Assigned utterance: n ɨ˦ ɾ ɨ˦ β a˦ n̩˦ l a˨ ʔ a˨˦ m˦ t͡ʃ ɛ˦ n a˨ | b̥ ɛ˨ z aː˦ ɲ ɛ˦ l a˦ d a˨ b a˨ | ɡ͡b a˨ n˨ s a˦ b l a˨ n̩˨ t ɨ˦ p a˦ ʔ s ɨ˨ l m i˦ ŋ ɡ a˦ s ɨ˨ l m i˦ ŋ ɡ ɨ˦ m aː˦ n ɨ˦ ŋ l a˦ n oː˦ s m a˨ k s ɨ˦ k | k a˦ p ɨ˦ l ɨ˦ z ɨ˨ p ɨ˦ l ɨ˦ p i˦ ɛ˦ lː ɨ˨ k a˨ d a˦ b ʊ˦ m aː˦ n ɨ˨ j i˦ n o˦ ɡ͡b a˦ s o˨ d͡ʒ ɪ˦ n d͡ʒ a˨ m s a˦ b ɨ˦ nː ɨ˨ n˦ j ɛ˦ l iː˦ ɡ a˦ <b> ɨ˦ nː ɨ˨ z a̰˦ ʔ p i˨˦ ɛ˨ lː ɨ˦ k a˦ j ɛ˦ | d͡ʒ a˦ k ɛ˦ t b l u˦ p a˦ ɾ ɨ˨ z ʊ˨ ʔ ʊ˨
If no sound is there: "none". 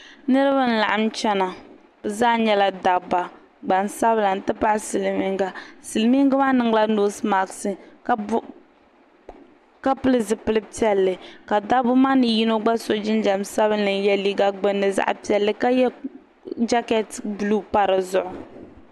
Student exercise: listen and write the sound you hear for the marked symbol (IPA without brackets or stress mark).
ɡ͡b